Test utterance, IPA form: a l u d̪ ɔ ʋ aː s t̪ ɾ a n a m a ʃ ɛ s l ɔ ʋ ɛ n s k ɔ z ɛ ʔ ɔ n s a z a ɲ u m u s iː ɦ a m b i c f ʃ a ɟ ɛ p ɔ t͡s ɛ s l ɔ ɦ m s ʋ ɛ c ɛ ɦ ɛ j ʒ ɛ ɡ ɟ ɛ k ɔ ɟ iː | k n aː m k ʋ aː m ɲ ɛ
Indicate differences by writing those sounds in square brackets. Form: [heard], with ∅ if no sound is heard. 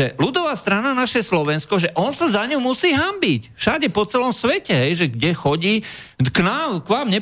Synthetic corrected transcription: [ɛ] l u d̪ ɔ ʋ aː s t̪ ɾ a n a [n] a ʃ ɛ s l ɔ ʋ ɛ n s k ɔ [ʒ] ɛ ʔ ɔ n s a z a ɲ u m u s iː ɦ a m b i c f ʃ a ɟ ɛ p ɔ t͡s ɛ [∅] l ɔ [∅] m s ʋ ɛ c ɛ ɦ ɛ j ʒ ɛ ɡ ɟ ɛ [x] ɔ ɟ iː | k n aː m k ʋ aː m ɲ ɛ